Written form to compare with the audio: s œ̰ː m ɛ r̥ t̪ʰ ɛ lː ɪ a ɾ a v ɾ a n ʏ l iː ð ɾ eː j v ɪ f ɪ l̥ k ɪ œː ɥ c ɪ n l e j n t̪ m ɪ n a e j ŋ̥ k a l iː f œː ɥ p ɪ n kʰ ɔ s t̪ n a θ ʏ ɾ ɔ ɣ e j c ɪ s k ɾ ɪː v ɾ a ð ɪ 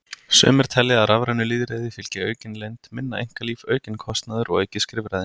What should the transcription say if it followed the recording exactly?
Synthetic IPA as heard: s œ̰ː m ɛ ɾ̥ t̪ʰ ɛ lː ɪ a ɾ a v ɾ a n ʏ l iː ð ɾ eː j ð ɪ f ɪ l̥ c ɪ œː ɥ c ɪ n l e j n t̪ m ɪ nː a e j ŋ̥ k a l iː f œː ɥ c ɪ n kʰ ɔ s t̪ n a ð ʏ ɾ ɔ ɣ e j c ɪ s k ɾ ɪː v ɾ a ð ɪ